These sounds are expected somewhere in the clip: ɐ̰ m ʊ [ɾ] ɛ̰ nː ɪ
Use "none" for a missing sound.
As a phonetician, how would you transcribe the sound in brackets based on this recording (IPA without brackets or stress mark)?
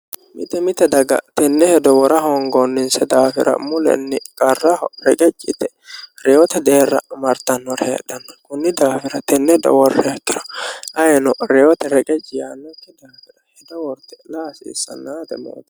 l